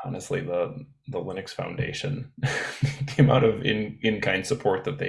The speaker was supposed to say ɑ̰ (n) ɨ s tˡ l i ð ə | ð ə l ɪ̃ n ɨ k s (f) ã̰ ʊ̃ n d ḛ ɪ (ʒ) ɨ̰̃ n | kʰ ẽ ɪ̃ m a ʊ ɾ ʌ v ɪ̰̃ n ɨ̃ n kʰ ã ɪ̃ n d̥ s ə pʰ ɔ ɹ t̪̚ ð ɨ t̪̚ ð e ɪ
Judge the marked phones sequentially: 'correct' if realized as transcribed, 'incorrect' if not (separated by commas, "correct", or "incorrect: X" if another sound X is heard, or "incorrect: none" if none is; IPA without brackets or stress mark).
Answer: correct, correct, incorrect: ʃ